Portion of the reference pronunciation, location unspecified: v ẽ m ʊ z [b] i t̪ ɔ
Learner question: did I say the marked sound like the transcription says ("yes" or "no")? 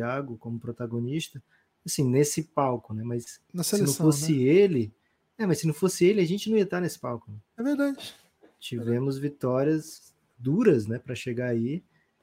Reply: no